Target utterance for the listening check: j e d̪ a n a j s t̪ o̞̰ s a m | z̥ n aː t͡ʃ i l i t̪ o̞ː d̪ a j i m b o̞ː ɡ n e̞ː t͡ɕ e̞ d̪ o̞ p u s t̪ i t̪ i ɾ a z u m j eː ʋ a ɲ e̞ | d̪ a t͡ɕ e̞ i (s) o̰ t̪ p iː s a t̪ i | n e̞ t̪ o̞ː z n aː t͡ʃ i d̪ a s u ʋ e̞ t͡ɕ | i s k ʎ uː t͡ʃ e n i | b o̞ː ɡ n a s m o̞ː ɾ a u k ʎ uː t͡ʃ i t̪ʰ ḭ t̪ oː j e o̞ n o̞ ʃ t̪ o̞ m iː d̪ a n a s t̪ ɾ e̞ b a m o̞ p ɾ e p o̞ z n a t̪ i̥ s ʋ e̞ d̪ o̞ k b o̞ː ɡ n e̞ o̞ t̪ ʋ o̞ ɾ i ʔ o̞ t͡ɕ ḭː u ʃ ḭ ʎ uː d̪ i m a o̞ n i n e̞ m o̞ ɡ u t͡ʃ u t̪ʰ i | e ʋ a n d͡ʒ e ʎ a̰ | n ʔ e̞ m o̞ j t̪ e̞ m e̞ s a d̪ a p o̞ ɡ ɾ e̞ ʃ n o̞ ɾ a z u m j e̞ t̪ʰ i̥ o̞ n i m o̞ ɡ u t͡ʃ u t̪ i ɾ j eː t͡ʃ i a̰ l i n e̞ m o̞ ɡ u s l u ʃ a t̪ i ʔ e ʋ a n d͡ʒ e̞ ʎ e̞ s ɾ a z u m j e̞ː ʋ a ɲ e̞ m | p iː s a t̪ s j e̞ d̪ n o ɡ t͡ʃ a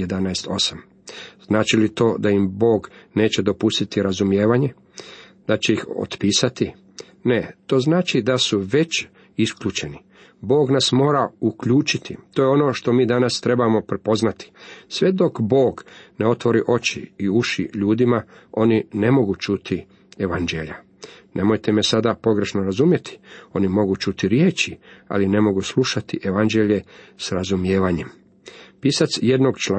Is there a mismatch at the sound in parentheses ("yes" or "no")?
yes